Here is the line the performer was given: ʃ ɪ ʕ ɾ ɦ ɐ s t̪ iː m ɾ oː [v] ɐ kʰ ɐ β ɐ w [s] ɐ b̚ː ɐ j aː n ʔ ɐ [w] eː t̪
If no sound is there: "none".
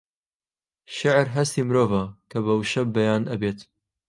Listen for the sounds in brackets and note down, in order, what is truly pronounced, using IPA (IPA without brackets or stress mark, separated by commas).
v, ʃ, b